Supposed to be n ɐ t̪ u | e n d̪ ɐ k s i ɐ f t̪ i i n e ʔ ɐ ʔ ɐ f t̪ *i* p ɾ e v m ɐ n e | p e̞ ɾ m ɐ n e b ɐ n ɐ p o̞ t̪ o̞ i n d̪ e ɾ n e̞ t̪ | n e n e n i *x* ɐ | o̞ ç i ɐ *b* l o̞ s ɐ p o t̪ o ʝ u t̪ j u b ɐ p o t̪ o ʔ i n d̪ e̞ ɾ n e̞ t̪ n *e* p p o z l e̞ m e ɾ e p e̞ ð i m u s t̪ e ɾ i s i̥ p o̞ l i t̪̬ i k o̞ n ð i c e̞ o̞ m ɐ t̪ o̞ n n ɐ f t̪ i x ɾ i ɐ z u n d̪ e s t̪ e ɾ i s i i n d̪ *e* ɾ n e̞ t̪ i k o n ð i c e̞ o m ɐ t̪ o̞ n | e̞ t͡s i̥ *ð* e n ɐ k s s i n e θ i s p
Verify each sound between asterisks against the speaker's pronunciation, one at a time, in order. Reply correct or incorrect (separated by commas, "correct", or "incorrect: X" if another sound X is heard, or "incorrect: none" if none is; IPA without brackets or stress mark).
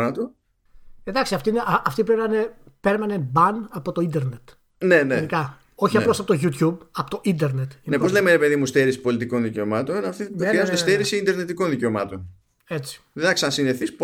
correct, incorrect: k, incorrect: p, correct, correct, correct